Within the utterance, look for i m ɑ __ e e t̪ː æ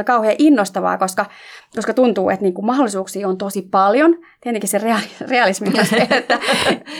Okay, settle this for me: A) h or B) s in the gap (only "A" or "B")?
B